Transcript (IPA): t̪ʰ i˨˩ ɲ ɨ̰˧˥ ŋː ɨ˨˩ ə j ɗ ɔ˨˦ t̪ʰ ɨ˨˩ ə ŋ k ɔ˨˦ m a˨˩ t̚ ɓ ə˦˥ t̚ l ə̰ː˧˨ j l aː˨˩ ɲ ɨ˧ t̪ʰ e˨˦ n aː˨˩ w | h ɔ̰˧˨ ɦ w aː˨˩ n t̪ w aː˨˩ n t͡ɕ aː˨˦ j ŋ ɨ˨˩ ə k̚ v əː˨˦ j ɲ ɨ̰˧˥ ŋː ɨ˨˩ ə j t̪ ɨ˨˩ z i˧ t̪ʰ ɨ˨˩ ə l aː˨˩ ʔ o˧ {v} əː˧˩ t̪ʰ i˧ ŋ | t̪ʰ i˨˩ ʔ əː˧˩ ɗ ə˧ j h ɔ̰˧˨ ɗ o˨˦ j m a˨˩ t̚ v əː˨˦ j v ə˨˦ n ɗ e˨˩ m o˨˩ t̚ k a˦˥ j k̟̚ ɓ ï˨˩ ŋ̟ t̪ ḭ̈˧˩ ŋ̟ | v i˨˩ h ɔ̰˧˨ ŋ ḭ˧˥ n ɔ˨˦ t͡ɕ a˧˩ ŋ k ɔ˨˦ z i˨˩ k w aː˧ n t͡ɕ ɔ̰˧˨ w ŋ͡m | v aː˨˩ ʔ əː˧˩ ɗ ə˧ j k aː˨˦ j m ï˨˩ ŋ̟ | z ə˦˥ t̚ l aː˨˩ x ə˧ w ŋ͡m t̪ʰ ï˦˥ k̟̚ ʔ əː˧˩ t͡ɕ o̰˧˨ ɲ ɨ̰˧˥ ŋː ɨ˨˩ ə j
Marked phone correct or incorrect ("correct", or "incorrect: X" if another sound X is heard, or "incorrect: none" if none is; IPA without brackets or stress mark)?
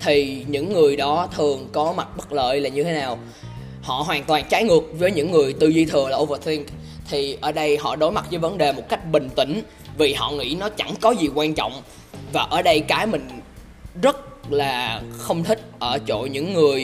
correct